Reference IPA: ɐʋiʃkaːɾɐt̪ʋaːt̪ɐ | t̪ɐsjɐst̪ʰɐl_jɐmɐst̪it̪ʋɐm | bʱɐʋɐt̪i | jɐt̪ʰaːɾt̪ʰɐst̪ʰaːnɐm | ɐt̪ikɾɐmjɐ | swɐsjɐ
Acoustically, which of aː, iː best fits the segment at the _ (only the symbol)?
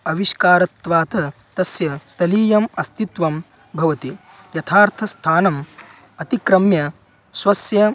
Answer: iː